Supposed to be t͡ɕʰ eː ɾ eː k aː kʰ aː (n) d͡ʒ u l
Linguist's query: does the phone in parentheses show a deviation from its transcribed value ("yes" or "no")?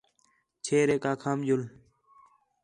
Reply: yes